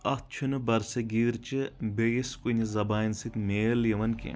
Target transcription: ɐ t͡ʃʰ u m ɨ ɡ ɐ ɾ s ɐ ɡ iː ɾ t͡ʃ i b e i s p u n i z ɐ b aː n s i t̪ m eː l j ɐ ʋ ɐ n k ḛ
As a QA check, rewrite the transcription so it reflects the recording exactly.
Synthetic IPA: ɐ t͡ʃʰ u n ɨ b ɐ ɾ s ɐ ɡ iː ɾ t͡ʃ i b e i s k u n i z ɐ b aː n s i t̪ m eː l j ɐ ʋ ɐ n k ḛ